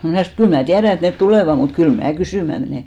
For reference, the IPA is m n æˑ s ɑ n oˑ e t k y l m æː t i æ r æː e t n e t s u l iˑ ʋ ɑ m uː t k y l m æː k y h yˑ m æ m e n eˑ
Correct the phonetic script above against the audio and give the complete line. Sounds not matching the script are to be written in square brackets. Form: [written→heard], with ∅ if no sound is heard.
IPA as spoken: m n æˑ s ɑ n oˑ e t k y l m æː t i æ r [æː→æ] e t n e t [s→t] u l [iˑ→eˑ] ʋ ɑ m [uː→u] t k y l m æː k y [h→s] yˑ m æ m e n eˑ